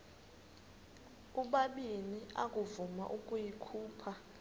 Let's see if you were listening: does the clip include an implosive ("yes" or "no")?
yes